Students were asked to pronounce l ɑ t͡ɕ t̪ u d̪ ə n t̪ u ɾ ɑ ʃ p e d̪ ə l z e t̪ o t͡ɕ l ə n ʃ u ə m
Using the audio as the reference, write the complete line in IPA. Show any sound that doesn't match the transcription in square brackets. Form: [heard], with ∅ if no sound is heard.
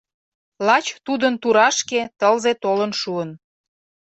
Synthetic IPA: l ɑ t͡ɕ t̪ u d̪ ə n t̪ u ɾ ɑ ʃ [k] e [t̪] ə l z e t̪ o [∅] l ə n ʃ u ə [n]